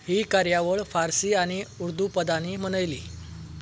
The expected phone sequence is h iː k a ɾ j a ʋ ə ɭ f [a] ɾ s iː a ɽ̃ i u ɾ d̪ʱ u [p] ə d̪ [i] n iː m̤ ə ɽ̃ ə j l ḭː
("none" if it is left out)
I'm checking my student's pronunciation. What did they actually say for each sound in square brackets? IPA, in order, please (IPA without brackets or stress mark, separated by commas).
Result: a, p, a